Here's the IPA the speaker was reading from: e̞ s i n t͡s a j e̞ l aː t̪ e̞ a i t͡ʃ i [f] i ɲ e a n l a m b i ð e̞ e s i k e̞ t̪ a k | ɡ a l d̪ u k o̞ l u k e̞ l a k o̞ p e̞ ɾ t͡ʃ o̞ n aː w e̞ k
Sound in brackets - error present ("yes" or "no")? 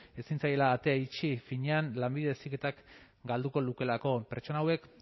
no